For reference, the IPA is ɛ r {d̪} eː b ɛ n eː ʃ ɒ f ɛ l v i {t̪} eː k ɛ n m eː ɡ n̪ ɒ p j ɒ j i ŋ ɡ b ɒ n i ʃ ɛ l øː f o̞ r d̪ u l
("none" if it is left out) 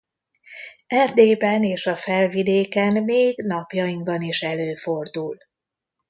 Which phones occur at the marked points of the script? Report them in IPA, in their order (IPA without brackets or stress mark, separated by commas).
d̪, d̪